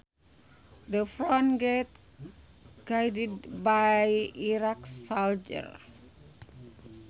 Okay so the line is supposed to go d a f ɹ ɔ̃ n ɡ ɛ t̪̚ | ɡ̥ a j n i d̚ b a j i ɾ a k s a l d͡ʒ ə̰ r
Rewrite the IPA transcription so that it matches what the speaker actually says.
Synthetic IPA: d ə f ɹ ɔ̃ n ɡ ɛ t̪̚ | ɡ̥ a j d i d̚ b a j i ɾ a k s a l d͡ʒ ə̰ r